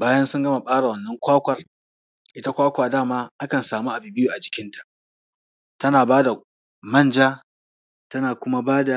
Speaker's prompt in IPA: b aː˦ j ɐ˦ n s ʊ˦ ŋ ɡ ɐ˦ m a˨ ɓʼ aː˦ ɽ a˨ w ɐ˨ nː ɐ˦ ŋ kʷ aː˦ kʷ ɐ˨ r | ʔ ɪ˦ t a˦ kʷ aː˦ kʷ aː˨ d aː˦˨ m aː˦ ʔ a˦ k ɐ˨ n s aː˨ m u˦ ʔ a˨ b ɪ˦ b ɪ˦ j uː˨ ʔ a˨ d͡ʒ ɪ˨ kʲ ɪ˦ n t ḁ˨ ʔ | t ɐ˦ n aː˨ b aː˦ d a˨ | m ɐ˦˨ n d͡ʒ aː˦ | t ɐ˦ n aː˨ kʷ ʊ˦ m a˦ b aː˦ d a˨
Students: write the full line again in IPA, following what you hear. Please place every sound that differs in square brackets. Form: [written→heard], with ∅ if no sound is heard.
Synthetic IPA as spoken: b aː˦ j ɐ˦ n s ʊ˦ ŋ ɡ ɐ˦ m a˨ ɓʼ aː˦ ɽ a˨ w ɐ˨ nː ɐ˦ ŋ kʷ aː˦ kʷ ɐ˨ r | ʔ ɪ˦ t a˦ kʷ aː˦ kʷ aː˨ d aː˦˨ m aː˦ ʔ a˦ k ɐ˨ n s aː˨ m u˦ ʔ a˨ b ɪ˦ b ɪ˦ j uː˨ ʔ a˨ d͡ʒ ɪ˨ kʲ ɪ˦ n t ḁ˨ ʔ | t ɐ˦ n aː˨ b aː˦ d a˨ | m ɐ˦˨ n d͡ʒ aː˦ | t ɐ˦ n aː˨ kʷ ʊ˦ m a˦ b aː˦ d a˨